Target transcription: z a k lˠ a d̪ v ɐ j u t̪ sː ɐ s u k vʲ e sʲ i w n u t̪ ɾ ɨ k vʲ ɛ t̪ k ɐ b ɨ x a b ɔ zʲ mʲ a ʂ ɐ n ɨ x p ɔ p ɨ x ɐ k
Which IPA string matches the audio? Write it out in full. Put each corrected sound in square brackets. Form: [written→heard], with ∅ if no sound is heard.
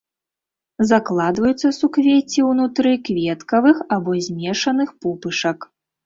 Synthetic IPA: z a k lˠ a d̪ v ɐ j u t̪ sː ɐ s u k vʲ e [sʲ→t͡sʲ] i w n u t̪ ɾ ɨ k vʲ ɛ t̪ k ɐ [b→v] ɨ x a b ɔ zʲ mʲ [a→ɛ] ʂ ɐ n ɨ x p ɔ p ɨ [x→ʂ] ɐ k